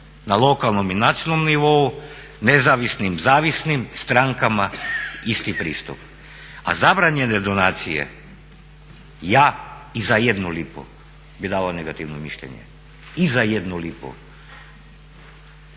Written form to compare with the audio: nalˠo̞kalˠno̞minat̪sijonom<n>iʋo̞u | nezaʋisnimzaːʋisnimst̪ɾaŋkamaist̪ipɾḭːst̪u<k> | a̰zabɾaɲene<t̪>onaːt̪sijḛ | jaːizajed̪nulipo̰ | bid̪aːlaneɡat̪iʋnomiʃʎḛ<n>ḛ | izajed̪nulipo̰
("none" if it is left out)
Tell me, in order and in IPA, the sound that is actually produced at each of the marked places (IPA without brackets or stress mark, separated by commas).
n, p, d̪, ɲ